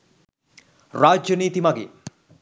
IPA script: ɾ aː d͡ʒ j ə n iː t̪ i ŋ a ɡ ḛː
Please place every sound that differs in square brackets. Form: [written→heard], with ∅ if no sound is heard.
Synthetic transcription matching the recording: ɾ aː d͡ʒ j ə n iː t̪ i [ŋ→m] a ɡ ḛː